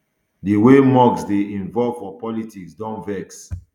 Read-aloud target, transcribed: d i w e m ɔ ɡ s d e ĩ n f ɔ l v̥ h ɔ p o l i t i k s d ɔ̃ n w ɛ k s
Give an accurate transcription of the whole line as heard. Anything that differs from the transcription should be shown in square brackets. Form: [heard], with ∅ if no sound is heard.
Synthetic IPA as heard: d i w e m ɔ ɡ s d e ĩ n [v] ɔ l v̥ [f] ɔ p [ɔ] l i t i k s d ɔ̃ n [v] ɛ k s